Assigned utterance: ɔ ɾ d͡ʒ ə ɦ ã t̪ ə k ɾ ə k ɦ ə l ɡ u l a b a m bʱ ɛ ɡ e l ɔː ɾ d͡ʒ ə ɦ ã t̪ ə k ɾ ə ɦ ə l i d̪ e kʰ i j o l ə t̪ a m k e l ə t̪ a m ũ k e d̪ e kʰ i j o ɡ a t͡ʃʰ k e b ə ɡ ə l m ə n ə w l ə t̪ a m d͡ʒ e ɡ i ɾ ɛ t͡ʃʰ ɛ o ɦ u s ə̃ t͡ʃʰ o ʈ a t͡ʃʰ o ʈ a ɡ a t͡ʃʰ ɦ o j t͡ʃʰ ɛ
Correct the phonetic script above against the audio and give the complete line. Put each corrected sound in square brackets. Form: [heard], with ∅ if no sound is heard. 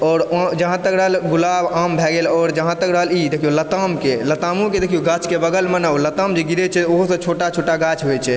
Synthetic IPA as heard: ɔ ɾ d͡ʒ ə ɦ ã t̪ ə k ɾ ə [∅] ɦ ə l ɡ u l a b a m bʱ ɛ ɡ e l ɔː ɾ d͡ʒ ə ɦ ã t̪ ə k ɾ ə ɦ ə l i d̪ e kʰ i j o l ə t̪ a m k e l ə t̪ a m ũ k e d̪ e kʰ i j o ɡ a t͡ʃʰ k e b ə ɡ ə l m ə n ə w l ə t̪ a m d͡ʒ e ɡ i ɾ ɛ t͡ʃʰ ɛ o ɦ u s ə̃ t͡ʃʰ o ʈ a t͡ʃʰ o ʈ a ɡ a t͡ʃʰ ɦ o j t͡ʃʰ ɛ